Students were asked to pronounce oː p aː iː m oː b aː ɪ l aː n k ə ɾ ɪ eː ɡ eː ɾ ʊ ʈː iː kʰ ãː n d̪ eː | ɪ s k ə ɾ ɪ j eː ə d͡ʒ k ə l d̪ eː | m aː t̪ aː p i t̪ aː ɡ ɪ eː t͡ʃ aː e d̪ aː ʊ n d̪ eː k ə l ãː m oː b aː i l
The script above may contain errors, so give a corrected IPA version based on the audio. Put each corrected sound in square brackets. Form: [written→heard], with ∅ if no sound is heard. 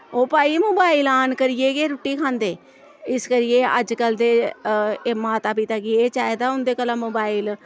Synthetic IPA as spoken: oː p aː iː m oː b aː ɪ l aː n k ə ɾ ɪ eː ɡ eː ɾ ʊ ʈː iː kʰ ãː n d̪ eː | ɪ s k ə ɾ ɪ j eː ə d͡ʒ k ə l d̪ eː | m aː t̪ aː p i t̪ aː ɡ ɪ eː t͡ʃ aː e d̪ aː ʊ n d̪ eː k ə l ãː m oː b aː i l